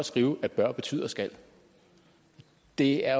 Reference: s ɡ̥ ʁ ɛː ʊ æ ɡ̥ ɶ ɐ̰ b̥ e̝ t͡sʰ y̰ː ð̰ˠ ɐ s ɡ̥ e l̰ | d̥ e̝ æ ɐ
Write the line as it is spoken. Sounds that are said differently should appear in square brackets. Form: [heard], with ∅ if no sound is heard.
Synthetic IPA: s ɡ̥ ʁ [iː] ʊ æ [b̥] ɶ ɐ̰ b̥ e̝ t͡sʰ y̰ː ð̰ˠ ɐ s ɡ̥ [æ] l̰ | d̥ e̝ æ ɐ